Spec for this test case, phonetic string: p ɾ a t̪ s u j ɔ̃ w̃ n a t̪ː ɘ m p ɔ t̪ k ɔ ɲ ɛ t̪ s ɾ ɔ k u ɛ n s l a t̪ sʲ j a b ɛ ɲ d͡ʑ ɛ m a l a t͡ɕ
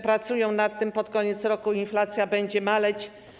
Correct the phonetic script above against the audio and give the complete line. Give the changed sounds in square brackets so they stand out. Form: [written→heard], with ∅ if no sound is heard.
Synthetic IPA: p ɾ a t̪ s u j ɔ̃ w̃ n a t̪ː ɘ m p ɔ t̪ k ɔ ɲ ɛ t̪ s ɾ ɔ k u [ɛ→i] n [s→f] l a t̪ sʲ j a b ɛ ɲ d͡ʑ ɛ m a l [a→ɛ] t͡ɕ